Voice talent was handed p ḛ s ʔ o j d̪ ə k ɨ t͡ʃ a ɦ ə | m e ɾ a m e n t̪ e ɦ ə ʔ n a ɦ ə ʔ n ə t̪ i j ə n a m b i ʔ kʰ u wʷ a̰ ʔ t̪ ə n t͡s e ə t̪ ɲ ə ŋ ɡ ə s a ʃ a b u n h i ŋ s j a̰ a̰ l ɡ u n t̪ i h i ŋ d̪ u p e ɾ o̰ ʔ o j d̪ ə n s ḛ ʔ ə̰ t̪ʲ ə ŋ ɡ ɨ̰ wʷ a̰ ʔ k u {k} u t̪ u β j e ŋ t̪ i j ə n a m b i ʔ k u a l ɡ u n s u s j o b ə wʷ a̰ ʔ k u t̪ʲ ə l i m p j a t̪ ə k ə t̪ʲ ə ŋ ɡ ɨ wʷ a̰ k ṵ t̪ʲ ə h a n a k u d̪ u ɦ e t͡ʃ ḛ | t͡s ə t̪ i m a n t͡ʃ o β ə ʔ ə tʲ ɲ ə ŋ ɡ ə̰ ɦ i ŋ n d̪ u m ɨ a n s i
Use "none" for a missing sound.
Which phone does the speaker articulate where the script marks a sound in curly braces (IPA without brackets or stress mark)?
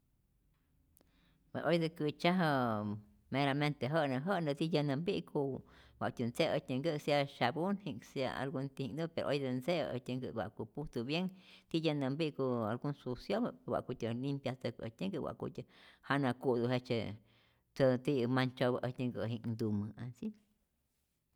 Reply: p